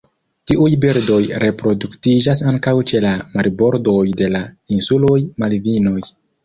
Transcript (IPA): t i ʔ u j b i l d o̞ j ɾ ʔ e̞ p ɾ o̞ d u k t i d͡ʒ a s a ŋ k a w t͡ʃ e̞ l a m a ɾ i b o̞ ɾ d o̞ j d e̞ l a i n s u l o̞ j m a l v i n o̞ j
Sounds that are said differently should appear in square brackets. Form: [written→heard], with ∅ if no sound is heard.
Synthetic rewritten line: t i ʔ u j b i [l→ɾ] d o̞ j ɾ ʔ e̞ p ɾ o̞ d u k t i d͡ʒ a s a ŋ k a w t͡ʃ e̞ l a m a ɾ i b o̞ ɾ d o̞ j d e̞ l a i n s u l o̞ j m a l v i n o̞ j